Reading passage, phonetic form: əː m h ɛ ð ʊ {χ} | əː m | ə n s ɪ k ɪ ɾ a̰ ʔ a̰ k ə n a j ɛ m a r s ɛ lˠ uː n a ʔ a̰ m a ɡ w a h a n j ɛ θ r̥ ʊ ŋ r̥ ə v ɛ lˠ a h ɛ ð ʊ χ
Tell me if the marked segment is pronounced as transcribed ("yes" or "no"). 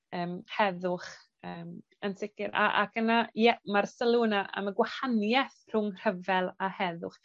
yes